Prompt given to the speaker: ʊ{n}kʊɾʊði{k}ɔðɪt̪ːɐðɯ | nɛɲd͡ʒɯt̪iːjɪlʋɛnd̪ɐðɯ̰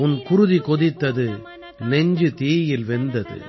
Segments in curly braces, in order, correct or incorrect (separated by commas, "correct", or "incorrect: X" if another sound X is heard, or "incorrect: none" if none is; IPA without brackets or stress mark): correct, correct